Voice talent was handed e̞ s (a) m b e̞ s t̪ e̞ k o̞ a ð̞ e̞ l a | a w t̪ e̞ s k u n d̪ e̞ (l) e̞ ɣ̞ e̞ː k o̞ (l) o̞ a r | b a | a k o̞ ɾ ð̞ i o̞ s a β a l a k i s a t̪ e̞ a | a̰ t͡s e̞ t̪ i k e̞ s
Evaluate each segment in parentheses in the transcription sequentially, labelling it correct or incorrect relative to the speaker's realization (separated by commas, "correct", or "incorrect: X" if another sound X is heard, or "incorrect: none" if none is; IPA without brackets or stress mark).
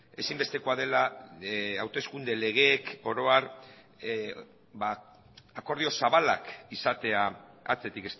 incorrect: i, correct, incorrect: ɾ